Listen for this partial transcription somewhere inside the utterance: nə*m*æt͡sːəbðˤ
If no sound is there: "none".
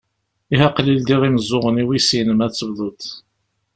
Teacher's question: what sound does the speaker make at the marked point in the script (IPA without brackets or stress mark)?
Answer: m